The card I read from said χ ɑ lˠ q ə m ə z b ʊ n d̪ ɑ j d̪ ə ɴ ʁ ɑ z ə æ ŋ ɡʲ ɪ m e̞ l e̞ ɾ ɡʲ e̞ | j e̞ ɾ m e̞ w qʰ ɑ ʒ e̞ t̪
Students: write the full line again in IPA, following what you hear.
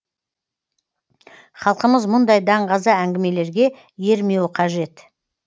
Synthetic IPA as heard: χ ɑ lˠ q ə m ə z m ʊ n d̪ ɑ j d̪ ɑ ɴ ʁ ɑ z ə æ ŋ ɡʲ ɪ m e̞ l e̞ ɾ ɡʲ e̞ | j e̞ ɾ m e̞ w qʰ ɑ ʒ e̞ t̪